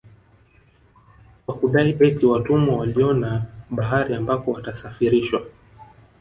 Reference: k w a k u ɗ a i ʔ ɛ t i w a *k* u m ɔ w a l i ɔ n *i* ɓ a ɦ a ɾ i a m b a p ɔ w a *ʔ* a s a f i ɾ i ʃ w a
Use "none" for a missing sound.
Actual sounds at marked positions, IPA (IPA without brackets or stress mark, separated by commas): t, a, t